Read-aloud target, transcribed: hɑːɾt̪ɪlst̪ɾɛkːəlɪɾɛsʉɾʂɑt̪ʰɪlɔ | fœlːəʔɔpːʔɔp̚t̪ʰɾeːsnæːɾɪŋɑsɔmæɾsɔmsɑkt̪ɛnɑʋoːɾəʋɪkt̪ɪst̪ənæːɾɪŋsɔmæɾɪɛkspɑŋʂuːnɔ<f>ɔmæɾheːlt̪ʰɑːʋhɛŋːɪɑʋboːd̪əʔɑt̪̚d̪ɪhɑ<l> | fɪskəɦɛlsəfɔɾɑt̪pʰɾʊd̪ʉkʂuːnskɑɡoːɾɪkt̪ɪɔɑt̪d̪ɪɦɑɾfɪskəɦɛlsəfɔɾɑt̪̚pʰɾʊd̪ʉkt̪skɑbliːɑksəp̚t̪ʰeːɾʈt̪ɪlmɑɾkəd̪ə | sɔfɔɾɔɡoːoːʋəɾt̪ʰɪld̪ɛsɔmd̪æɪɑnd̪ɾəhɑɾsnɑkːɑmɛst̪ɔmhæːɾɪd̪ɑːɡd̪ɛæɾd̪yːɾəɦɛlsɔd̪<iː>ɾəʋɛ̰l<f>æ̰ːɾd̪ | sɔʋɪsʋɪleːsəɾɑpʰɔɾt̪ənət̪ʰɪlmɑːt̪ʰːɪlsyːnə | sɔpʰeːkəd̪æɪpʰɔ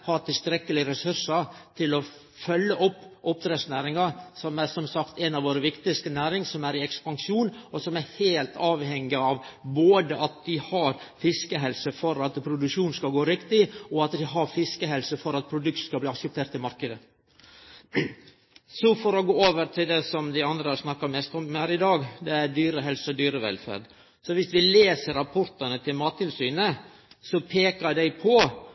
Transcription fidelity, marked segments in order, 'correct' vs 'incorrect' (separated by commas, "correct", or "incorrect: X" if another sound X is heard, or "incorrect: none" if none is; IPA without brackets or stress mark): incorrect: s, incorrect: ɾ, incorrect: yː, correct